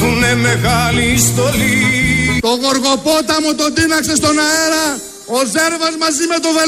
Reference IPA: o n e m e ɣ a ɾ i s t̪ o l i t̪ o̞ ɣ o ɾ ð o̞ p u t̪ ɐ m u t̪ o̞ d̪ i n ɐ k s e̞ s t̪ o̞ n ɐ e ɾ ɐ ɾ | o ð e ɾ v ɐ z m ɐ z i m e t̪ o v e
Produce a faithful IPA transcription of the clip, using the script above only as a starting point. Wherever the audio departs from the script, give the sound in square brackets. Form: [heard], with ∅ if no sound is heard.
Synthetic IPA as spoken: [u] n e m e ɣ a [l] i s t̪ o l i t̪ o̞ ɣ o ɾ [ɣ] o̞ p [o] t̪ ɐ m u t̪ o̞ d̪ i n ɐ k s e̞ s t̪ o̞ n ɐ e ɾ ɐ [∅] | o [z] e ɾ v ɐ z m ɐ z i m e t̪ o v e